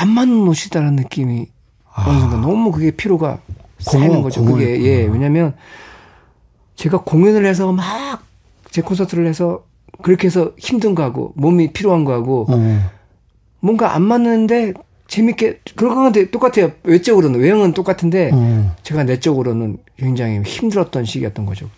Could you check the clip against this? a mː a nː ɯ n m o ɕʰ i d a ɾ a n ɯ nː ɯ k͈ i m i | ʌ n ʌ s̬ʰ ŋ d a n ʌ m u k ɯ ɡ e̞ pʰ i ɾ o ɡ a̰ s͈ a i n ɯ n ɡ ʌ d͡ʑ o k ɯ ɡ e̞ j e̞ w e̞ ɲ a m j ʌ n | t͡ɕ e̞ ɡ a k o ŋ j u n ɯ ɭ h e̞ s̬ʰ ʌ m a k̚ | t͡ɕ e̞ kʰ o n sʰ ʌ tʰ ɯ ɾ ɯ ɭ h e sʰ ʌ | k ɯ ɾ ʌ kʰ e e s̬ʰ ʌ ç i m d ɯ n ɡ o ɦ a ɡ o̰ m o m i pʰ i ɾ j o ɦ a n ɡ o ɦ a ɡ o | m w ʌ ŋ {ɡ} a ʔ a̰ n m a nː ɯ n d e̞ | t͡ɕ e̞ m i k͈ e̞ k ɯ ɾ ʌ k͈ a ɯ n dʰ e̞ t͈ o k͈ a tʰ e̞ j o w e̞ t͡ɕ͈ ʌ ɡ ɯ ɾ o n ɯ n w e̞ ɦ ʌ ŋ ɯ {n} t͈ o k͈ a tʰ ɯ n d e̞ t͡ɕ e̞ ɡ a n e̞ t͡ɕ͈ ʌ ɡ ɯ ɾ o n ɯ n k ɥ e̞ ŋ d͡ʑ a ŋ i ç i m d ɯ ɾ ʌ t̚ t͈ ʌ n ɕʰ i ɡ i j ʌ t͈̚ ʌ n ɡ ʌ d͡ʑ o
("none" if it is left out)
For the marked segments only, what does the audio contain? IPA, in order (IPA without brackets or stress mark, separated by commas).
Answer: ɡ, n